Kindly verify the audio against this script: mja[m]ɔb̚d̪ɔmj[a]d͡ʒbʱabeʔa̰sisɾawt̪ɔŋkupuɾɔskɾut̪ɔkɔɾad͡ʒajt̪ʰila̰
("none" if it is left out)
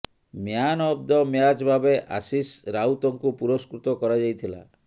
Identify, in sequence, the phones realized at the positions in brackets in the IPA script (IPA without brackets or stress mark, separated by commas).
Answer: n, a